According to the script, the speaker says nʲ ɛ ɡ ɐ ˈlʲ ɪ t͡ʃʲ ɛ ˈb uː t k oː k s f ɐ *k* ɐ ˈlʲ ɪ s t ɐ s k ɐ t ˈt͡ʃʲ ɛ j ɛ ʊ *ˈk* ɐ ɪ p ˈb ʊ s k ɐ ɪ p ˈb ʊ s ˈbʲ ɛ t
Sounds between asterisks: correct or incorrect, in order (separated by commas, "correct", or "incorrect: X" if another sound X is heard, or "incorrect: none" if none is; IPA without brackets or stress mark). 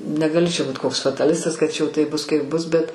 incorrect: t, incorrect: t